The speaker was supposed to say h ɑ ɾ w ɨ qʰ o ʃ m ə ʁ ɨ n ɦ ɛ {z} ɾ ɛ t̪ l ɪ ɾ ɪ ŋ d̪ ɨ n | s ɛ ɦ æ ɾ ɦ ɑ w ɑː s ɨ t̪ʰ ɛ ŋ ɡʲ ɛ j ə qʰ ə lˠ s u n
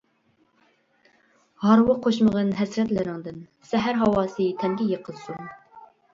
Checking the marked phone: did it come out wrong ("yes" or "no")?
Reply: yes